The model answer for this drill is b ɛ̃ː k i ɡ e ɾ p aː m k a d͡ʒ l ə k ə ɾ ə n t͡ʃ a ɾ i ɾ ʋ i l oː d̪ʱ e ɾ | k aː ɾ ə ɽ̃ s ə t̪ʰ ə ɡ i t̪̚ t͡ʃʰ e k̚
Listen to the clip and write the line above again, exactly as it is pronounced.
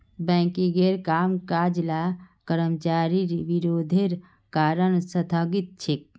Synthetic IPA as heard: b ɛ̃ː k i ɡ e ɾ k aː m k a d͡ʒ l a k ə ɾ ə m t͡ʃ a ɾ i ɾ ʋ i ɾ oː d̪ʱ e ɾ | k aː ɾ ə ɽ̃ s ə t̪ʰ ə ɡ i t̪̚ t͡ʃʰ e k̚

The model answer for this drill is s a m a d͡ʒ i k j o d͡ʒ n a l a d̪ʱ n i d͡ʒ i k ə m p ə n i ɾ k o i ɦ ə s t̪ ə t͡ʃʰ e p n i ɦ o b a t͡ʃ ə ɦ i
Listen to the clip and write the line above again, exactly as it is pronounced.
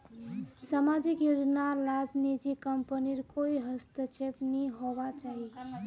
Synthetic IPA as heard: s a m a d͡ʒ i k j o d͡ʒ n a l a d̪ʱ n i d͡ʒ i k ə m p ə n i ɾ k o i ɦ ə s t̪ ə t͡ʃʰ e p n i ɦ o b a t͡ʃ a ɦ i

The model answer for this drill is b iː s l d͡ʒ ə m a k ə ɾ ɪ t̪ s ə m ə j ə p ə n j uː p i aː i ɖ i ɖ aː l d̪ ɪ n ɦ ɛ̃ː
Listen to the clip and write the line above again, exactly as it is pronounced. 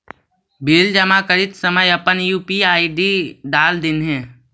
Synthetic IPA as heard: b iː l d͡ʒ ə m a k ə ɾ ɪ t̪ s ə m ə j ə p ə n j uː p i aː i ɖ i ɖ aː l d̪ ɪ n ɦ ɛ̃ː

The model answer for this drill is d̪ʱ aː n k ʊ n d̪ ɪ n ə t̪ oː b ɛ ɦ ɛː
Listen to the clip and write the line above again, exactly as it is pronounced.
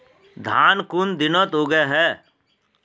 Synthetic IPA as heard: d̪ʱ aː n k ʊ n d̪ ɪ n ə t̪ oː ɡ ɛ ɦ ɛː

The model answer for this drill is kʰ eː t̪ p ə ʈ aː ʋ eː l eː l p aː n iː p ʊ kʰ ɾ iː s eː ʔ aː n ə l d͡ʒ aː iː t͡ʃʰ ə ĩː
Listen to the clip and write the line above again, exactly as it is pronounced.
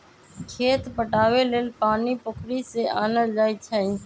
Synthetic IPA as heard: kʰ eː t̪ p ə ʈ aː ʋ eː l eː l p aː n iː p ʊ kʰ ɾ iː s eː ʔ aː n ə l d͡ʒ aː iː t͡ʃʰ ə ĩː

